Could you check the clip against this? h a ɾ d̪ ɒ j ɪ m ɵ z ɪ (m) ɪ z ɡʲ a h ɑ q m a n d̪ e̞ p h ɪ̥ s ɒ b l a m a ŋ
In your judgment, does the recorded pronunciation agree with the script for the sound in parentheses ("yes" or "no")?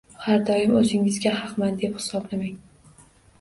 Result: no